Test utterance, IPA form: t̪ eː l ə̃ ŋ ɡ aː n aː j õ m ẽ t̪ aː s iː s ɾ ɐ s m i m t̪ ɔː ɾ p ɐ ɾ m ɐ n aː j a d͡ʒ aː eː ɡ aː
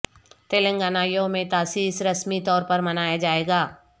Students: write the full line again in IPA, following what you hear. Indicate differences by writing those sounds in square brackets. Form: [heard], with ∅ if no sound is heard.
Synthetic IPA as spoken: t̪ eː l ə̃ ŋ ɡ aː n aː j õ m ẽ t̪ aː s iː s ɾ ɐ s m i [∅] t̪ ɔː ɾ p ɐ ɾ m ɐ n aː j a d͡ʒ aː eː ɡ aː